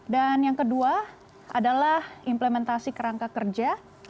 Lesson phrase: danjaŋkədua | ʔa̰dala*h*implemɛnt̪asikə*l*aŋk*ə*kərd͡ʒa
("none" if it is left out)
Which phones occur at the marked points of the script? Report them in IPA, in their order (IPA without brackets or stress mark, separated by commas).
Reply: h, ɾ, a